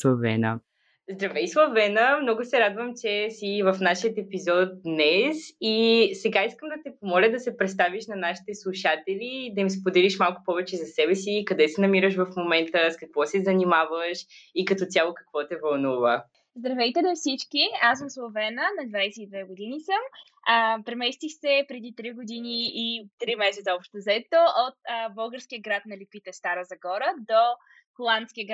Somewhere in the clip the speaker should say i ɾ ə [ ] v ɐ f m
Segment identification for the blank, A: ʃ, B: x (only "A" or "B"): A